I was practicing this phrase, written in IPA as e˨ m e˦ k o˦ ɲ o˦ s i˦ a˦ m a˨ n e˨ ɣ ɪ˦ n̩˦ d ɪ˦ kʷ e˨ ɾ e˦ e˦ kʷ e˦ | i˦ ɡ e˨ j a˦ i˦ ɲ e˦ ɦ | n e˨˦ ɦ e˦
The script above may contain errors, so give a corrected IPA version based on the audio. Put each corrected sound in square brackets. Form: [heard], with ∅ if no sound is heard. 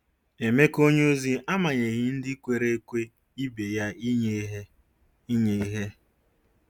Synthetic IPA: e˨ m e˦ k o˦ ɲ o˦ [z] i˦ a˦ m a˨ [ɲ] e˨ ɣ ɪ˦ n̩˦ d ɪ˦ kʷ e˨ ɾ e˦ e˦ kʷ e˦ | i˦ [b] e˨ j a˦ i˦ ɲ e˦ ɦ | [ɲ] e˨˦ ɦ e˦